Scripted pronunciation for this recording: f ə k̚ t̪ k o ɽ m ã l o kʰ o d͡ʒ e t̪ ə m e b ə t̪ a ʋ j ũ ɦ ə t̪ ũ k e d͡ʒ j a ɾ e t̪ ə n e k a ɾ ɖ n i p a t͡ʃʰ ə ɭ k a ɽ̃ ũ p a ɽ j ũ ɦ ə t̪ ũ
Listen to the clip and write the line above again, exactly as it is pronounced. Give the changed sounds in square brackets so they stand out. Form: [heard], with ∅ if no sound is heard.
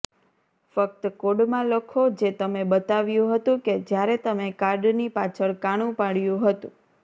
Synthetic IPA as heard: f ə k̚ t̪ k o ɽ m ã l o kʰ o d͡ʒ e t̪ ə m e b ə t̪ a ʋ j ũ ɦ ə t̪ ũ k e d͡ʒ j a ɾ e t̪ ə [m] e k a ɾ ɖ n i p a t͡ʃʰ ə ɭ k a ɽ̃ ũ p a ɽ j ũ ɦ ə t̪ ũ